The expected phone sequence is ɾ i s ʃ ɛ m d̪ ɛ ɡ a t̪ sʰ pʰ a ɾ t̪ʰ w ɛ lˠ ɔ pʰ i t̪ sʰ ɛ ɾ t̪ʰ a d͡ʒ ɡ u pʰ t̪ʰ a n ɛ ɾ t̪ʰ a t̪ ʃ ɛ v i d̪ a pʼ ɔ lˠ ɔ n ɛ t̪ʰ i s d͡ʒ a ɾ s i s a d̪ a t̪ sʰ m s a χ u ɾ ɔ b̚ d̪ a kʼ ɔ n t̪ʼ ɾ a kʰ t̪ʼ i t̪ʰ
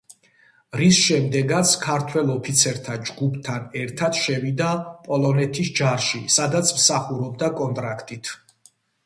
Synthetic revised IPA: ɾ i s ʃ ɛ m d̪ ɛ ɡ a t̪ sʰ kʰ a ɾ t̪ʰ w ɛ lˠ ɔ pʰ i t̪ sʰ ɛ ɾ t̪ʰ a d͡ʒ ɡ u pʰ t̪ʰ a n ɛ ɾ t̪ʰ a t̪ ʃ ɛ v i d̪ a pʼ ɔ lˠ ɔ n ɛ t̪ʰ i s d͡ʒ a ɾ ʃ i s a d̪ a t̪ sʰ m s a χ u ɾ ɔ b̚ d̪ a kʼ ɔ n t̪ʼ ɾ a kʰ t̪ʼ i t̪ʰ